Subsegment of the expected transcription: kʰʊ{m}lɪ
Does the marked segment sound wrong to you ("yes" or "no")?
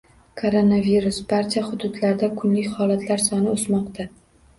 yes